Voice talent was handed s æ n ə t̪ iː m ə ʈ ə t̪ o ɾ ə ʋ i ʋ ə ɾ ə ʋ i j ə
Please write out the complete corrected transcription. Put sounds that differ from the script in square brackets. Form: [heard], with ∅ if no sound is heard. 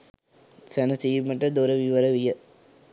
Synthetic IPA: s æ n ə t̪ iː m ə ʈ ə [d̪] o ɾ ə ʋ i ʋ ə ɾ ə ʋ i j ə

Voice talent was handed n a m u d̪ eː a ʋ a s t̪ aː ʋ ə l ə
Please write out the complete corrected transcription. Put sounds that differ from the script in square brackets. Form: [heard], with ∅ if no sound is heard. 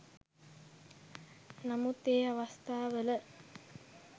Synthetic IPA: n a m u [t̪] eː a ʋ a s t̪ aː ʋ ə l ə

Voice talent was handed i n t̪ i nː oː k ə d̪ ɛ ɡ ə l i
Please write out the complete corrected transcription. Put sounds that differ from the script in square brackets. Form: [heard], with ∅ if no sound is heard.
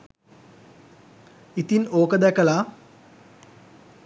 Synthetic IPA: i [∅] t̪ i [n] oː k ə d̪ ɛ [k] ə l [a]

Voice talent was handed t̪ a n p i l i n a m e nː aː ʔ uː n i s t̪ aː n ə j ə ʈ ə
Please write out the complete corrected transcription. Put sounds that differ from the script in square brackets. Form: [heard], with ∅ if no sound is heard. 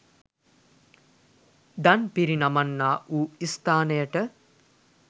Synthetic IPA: [d̪] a n p i [ɾ] i n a m [a] nː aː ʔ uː [∅] i s t̪ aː n ə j ə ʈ ə

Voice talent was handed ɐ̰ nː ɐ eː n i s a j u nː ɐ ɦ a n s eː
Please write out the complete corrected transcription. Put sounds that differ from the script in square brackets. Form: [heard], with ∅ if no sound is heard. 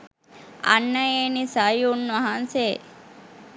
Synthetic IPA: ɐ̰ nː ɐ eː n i s a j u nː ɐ ɦ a n s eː

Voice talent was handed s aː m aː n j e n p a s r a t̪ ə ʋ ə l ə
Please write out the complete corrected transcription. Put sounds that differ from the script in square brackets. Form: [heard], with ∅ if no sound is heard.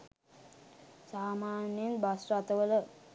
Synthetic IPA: s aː m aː n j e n [b] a s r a t̪ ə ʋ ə l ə

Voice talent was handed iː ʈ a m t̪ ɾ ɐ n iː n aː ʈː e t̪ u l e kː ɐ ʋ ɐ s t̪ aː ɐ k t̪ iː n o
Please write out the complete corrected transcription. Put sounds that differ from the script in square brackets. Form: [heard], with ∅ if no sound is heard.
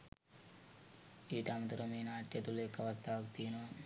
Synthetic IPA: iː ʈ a m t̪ ɾ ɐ [m] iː n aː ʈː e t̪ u l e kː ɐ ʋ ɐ s t̪ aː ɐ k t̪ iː n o

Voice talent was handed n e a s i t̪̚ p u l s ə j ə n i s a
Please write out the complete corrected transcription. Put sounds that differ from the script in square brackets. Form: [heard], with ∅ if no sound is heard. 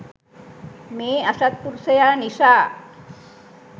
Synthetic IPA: [m] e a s [a] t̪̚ p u [ɾ] s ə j [a] n i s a

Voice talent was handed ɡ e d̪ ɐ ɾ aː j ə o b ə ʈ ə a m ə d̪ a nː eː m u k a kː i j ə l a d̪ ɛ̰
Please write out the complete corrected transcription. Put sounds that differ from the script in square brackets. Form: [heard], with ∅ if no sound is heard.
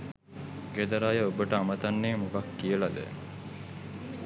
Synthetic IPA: ɡ e d̪ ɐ ɾ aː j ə o b ə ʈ ə a m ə [t̪] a nː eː m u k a kː i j ə l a d̪ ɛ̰

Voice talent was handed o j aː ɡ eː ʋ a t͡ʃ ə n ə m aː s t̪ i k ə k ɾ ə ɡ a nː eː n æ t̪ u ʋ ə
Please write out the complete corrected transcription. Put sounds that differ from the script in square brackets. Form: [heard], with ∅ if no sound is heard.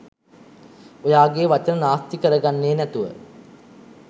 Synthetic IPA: o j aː ɡ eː ʋ a t͡ʃ ə n ə [n] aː s t̪ i k ə [∅] ɾ ə ɡ a nː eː n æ t̪ u ʋ ə

